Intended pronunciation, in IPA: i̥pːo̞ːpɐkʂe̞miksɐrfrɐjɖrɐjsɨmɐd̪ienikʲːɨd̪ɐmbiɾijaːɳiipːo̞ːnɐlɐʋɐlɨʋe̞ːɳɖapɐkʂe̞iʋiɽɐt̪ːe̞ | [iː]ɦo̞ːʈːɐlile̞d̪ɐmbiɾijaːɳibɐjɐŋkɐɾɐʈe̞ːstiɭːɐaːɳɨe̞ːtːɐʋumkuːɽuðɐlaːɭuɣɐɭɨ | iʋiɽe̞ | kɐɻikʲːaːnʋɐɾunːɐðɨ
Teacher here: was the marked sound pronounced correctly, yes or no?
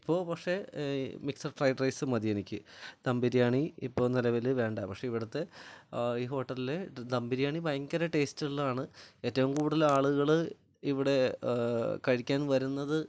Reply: yes